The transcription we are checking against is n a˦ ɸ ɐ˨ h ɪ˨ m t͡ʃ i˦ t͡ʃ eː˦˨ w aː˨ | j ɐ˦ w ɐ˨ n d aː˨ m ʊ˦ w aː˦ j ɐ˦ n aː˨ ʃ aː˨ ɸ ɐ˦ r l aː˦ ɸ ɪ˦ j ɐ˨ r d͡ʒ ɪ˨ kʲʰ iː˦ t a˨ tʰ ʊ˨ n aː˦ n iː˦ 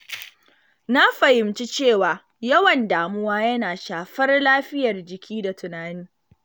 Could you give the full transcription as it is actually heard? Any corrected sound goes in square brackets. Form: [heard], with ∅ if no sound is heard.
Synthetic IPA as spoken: n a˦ ɸ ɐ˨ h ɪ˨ m t͡ʃ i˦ t͡ʃ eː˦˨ w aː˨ | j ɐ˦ w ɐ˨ n d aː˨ m ʊ˦ w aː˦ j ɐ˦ n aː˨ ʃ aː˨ ɸ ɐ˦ r l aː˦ ɸ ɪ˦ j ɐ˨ r d͡ʒ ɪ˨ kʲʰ iː˦ [d] a˨ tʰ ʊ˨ n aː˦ n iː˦